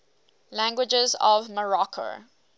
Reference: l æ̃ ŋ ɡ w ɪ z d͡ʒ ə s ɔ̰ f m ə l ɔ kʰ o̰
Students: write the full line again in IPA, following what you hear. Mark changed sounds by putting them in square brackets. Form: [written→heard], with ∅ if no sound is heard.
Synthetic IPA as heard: l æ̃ ŋ ɡ w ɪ [z→∅] d͡ʒ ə [s→z] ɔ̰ [f→v] m ə [l→ɹ] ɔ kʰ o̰